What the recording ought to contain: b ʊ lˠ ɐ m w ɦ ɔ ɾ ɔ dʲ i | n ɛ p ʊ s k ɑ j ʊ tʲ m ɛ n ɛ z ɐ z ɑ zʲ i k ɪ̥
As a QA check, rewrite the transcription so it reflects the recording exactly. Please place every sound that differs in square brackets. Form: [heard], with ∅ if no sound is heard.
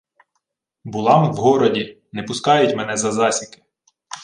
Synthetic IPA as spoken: b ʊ lˠ [ɑ] m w ɦ ɔ ɾ ɔ dʲ i | n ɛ p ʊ s k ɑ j ʊ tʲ m ɛ n ɛ z ɐ z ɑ [sʲ] i k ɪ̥